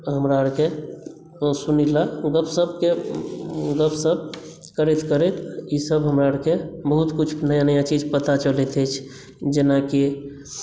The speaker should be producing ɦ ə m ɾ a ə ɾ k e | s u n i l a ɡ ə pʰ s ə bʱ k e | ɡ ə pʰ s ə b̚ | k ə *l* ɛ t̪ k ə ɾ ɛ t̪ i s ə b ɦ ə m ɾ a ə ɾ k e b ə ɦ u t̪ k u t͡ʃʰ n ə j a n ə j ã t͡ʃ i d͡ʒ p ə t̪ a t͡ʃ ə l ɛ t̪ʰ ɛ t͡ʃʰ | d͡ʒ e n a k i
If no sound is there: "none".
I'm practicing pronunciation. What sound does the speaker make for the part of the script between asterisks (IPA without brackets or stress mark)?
ɾ